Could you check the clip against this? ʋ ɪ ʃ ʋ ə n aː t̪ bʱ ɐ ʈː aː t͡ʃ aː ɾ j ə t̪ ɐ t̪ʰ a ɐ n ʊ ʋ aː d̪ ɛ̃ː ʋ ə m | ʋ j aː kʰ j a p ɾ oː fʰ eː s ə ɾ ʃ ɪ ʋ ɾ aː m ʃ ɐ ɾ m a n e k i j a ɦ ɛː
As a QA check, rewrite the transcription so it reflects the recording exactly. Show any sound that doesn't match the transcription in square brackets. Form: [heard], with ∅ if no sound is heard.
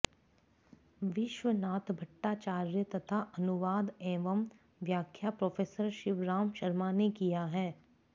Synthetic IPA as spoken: ʋ ɪ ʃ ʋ ə n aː t̪ bʱ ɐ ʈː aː t͡ʃ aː ɾ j ə t̪ ɐ t̪ʰ a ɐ n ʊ ʋ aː d̪ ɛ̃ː ʋ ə m | ʋ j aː kʰ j a p ɾ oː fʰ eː s ə ɾ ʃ ɪ ʋ ɾ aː m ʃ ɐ ɾ m a n e k i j a ɦ ɛː